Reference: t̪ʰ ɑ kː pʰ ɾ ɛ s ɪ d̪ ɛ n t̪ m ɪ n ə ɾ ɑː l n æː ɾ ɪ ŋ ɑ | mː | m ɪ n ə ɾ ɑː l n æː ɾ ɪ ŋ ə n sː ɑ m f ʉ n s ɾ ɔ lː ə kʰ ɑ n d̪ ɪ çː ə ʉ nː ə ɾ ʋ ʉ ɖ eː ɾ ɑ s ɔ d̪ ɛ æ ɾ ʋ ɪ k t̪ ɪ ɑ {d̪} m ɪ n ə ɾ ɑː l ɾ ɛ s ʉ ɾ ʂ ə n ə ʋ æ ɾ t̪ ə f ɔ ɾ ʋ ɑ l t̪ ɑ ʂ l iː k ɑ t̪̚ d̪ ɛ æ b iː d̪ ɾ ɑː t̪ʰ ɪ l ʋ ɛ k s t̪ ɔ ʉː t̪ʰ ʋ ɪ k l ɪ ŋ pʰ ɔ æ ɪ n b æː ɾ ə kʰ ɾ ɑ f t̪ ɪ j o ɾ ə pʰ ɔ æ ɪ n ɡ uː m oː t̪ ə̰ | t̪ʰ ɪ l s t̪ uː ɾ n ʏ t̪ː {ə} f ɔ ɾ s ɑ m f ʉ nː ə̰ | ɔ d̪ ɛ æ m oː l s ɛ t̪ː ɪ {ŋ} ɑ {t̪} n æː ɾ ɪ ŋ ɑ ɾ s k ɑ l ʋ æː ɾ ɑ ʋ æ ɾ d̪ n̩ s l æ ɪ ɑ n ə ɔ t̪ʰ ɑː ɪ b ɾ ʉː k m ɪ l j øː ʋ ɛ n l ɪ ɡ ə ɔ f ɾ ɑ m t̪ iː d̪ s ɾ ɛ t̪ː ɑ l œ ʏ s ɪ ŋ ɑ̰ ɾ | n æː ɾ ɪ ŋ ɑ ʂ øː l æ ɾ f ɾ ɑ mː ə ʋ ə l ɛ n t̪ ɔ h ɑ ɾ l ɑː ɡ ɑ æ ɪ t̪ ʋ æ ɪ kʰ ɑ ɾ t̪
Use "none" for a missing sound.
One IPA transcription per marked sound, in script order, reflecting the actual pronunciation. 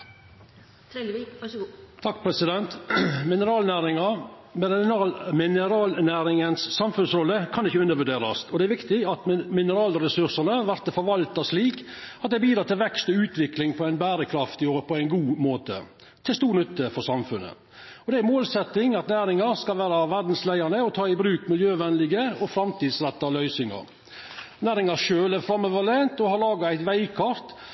t̪, ə, ŋ, t̪

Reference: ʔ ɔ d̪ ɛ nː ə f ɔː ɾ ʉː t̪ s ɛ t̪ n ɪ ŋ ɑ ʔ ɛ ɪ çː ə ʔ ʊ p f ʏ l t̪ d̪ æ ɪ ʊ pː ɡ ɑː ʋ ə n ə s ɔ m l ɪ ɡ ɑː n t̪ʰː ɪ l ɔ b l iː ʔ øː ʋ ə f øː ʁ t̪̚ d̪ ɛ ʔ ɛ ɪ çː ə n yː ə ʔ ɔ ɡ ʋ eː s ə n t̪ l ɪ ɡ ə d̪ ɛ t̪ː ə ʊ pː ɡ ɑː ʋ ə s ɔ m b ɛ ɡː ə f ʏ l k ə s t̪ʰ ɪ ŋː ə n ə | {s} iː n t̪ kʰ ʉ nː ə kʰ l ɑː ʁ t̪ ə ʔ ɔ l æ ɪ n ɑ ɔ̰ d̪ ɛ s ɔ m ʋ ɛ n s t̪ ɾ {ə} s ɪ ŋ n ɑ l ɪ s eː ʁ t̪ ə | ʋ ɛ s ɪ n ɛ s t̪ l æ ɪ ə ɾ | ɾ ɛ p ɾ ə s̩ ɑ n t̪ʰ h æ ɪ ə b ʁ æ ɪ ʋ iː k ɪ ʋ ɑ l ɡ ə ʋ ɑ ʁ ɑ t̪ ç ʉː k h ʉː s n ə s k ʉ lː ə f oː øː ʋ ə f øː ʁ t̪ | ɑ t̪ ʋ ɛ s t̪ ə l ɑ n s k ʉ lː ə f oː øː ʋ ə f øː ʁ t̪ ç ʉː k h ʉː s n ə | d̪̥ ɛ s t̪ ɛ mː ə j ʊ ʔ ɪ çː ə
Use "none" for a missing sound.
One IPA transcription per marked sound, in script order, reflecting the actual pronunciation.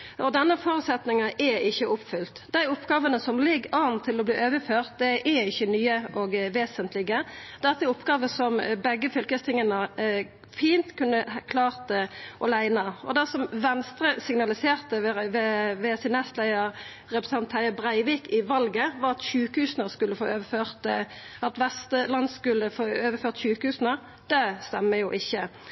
f, ə

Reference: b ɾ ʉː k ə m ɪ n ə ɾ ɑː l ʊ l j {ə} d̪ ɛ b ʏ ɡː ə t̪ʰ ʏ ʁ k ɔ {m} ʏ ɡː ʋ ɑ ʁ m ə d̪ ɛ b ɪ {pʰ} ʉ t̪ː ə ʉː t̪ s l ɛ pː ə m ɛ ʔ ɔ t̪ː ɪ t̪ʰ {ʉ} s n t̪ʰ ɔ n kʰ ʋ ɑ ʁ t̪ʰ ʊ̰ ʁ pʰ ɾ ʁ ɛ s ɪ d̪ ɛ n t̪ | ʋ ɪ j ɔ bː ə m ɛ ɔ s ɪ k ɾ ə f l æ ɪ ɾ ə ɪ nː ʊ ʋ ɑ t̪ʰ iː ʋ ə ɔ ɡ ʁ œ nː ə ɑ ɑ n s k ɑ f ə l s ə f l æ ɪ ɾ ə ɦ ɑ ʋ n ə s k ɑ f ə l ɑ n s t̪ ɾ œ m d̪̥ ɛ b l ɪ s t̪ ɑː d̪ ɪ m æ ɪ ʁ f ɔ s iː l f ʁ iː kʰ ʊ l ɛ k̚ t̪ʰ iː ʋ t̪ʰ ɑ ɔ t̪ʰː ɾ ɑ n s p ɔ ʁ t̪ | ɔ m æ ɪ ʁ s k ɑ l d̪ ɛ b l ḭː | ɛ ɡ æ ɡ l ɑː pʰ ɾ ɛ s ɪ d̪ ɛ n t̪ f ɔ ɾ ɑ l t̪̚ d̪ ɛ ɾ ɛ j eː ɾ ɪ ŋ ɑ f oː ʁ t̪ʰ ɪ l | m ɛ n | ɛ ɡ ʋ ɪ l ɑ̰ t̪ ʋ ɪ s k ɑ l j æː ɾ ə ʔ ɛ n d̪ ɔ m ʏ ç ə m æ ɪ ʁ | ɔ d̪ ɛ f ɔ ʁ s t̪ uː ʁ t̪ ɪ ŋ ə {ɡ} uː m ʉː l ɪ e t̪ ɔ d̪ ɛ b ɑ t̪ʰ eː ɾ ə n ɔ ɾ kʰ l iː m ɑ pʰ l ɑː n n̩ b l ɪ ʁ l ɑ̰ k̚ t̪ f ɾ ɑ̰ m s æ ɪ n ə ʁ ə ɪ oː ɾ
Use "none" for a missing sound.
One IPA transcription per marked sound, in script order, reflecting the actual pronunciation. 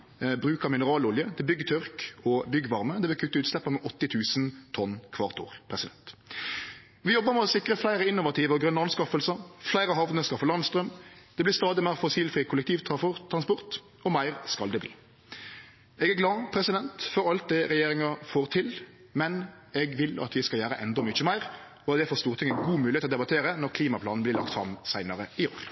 ə, b, kʰ, ʉː, ɡ

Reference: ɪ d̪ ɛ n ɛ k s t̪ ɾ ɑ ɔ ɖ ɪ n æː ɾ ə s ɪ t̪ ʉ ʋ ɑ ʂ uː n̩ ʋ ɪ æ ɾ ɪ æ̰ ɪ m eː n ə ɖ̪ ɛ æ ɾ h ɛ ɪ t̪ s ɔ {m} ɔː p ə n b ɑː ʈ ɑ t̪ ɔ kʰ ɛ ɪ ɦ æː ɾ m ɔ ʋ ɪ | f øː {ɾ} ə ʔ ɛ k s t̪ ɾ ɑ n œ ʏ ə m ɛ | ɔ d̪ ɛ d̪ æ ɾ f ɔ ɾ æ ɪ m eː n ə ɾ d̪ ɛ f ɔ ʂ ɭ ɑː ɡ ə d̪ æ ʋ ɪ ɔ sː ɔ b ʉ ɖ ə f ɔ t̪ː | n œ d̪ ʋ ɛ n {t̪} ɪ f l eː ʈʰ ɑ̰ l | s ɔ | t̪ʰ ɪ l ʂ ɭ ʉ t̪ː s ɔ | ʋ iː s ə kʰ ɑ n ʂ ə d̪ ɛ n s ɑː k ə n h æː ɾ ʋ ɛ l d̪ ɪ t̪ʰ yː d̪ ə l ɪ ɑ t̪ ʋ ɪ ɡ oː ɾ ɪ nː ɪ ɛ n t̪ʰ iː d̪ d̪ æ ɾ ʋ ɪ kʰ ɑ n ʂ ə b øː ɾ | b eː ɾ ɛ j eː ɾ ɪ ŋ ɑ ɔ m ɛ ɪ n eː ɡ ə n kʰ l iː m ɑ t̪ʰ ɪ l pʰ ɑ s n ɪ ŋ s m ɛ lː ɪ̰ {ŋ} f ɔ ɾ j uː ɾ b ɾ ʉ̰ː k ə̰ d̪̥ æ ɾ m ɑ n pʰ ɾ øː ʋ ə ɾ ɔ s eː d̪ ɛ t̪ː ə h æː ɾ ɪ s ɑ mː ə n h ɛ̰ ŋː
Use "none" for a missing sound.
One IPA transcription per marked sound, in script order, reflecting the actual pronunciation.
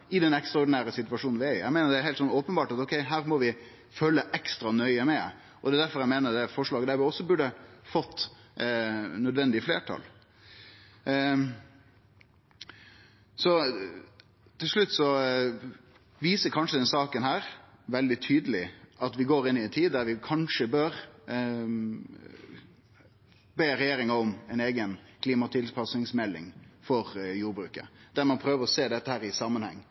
n, l, d̪, ŋ

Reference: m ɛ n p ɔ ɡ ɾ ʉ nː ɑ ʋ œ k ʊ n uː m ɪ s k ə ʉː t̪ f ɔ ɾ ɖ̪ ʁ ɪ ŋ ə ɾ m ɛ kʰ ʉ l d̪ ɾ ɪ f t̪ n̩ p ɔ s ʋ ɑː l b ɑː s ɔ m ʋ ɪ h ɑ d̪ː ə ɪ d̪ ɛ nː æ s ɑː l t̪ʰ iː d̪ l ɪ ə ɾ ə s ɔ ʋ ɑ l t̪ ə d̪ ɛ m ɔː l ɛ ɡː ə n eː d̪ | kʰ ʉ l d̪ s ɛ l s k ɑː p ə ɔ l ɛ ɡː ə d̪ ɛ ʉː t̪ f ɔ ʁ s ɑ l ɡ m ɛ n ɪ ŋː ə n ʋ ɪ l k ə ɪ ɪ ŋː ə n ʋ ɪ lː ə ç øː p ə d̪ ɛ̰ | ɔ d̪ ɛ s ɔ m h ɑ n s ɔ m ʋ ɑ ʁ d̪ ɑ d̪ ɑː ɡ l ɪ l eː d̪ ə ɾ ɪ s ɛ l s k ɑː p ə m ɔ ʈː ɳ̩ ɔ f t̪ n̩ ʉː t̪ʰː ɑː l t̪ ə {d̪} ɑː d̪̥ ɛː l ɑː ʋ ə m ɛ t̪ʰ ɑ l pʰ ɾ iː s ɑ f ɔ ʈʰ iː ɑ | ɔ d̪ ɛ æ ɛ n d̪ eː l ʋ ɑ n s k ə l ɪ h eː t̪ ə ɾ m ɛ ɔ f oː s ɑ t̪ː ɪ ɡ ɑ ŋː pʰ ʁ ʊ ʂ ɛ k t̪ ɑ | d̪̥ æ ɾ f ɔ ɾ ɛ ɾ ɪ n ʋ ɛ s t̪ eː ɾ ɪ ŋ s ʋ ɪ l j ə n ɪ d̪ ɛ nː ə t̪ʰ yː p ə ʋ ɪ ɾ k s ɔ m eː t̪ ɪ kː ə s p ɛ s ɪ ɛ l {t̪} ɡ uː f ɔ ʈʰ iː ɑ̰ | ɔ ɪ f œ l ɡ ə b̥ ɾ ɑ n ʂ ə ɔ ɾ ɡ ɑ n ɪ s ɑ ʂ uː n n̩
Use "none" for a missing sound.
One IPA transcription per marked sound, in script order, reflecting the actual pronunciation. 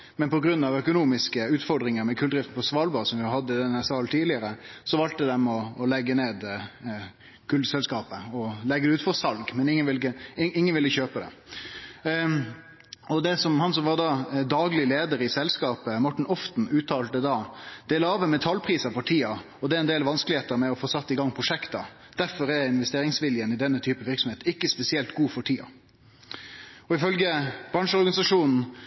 d̪, t̪

